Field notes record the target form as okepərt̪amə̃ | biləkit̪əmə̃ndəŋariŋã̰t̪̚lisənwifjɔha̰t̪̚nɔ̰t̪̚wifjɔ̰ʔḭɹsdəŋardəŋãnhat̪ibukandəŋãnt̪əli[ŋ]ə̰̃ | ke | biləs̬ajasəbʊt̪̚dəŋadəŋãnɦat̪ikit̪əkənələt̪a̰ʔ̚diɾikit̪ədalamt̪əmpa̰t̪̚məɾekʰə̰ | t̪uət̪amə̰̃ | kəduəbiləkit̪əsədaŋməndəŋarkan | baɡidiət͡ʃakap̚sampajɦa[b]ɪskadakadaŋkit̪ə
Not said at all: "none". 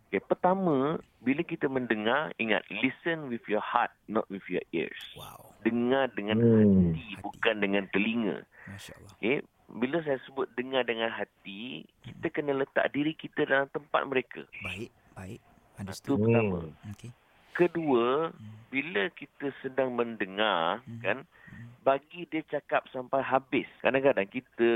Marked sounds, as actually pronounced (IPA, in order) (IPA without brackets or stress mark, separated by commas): ŋ, b